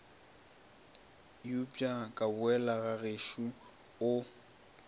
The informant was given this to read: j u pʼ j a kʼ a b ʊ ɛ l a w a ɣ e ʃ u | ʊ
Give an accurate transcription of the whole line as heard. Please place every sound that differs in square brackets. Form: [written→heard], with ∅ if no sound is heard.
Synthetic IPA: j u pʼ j a kʼ a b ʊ ɛ l a [w→ɣ] a ɣ e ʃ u | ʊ